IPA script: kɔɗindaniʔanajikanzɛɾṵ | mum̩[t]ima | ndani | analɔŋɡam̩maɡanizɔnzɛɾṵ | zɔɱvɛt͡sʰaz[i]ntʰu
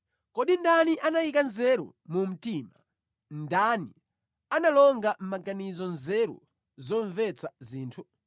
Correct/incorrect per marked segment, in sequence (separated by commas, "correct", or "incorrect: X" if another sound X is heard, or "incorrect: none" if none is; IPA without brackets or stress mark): correct, incorrect: iː